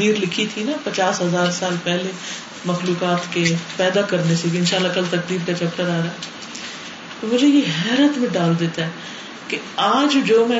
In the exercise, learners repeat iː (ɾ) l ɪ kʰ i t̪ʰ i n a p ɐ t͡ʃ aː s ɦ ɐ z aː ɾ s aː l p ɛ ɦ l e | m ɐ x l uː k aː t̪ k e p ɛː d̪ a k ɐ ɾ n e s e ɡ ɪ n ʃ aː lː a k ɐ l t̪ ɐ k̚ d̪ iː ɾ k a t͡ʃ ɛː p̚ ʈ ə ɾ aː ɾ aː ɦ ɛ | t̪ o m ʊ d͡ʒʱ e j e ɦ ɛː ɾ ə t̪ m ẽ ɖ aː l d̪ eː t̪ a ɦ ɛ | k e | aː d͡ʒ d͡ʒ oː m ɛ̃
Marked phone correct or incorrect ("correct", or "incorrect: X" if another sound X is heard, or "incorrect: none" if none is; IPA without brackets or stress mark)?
correct